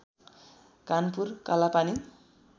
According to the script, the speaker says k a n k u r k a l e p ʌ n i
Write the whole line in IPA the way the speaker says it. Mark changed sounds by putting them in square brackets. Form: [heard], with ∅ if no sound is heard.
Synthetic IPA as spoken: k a n [p] u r k a l [a] p [a] n i